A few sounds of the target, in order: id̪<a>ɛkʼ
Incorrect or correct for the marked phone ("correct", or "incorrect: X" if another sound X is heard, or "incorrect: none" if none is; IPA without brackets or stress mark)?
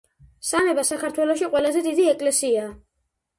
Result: incorrect: i